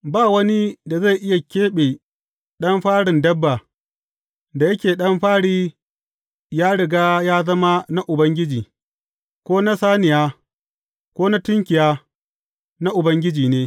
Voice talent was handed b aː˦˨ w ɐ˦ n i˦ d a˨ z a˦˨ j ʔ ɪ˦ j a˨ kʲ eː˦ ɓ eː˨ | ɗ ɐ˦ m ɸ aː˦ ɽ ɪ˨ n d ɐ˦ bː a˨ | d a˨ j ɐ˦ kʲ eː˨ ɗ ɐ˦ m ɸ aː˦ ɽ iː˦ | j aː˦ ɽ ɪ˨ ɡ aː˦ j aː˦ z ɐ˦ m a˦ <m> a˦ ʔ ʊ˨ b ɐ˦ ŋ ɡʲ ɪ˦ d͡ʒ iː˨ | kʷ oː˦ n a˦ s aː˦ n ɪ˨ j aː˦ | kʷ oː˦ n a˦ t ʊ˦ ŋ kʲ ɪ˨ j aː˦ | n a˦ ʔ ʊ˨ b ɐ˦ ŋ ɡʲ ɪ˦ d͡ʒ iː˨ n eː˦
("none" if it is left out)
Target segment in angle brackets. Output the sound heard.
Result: n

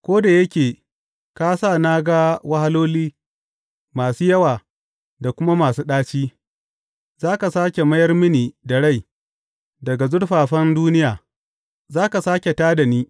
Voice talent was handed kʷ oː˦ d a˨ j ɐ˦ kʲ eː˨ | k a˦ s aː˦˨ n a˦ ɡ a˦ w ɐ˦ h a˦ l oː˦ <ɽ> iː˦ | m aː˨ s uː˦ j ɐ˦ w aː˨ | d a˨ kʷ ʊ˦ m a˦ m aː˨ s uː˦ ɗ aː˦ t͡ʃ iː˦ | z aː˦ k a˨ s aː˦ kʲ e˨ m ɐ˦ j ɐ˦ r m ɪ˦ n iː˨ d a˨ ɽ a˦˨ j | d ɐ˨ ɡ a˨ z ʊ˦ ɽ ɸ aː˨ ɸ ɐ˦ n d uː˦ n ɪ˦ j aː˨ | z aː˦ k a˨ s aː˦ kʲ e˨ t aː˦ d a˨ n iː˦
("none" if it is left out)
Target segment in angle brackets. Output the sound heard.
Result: l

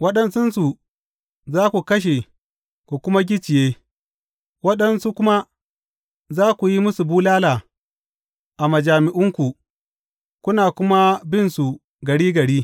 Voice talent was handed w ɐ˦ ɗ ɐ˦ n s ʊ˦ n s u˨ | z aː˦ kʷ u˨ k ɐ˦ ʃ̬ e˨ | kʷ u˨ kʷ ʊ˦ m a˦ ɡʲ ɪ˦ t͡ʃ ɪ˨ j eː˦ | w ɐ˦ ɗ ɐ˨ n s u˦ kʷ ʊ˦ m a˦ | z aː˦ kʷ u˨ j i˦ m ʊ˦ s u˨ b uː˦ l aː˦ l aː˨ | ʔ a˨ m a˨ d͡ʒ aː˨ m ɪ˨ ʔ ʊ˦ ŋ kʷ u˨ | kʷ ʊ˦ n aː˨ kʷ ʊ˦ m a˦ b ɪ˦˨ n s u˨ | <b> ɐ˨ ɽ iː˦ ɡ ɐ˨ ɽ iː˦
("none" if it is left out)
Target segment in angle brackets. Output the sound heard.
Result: ɡ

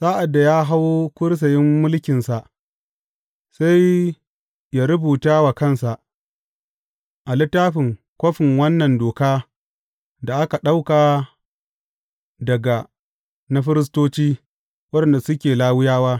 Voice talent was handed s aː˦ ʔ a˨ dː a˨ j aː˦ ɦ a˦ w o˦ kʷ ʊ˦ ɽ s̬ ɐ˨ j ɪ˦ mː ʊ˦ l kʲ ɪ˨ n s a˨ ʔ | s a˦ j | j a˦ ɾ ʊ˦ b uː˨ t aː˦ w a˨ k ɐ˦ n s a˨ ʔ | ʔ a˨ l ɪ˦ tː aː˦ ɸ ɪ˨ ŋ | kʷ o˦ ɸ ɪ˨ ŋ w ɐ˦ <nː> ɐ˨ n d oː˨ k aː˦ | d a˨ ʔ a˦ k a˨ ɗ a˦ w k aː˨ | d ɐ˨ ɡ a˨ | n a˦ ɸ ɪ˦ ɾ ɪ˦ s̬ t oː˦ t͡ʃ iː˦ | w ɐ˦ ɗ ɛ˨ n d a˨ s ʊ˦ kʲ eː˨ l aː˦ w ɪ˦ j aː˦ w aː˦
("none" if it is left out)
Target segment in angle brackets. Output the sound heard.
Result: nː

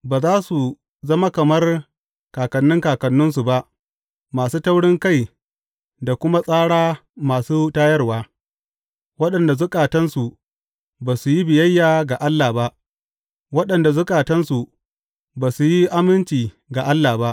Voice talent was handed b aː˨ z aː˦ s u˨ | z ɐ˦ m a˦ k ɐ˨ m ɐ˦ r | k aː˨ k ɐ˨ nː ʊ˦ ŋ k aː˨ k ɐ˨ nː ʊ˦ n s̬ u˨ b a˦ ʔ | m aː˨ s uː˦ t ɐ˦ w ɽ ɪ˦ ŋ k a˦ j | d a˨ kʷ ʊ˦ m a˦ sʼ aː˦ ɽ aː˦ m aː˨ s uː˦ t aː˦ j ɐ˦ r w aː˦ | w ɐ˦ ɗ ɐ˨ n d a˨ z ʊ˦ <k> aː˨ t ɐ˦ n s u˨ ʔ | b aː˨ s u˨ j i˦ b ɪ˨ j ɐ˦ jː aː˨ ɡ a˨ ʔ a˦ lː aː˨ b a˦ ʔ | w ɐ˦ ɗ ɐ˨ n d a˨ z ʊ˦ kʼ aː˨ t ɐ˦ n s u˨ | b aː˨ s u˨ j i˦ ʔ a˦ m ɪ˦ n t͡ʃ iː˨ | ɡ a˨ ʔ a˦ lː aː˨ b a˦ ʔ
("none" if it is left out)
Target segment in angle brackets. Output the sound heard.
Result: kʼ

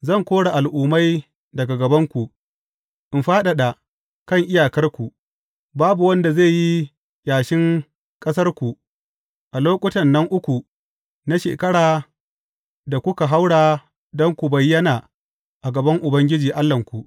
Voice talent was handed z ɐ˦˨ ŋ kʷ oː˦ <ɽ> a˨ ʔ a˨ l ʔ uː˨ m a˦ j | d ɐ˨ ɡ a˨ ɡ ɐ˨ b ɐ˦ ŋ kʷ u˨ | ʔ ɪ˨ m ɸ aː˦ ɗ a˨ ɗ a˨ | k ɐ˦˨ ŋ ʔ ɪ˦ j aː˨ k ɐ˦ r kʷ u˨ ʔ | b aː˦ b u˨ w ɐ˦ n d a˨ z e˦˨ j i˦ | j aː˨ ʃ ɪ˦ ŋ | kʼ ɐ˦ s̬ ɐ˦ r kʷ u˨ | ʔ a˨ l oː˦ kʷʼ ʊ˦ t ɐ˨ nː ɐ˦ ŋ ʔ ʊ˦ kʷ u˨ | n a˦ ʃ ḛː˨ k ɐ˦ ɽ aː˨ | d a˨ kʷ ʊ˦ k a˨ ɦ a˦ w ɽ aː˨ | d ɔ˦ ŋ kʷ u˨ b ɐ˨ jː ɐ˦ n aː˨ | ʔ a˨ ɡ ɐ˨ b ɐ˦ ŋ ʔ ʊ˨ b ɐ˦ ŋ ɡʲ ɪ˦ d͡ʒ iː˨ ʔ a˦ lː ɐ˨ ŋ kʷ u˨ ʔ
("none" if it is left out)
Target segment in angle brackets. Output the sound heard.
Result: ɽ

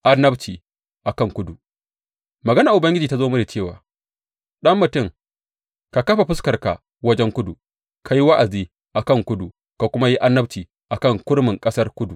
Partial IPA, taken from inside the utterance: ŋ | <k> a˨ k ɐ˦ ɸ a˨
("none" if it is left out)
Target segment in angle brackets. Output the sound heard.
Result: k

